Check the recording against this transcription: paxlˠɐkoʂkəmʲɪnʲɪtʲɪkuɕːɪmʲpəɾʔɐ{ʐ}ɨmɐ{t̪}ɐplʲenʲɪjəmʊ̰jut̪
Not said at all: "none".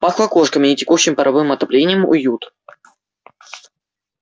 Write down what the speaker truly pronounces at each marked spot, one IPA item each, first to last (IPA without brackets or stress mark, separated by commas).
v, t̪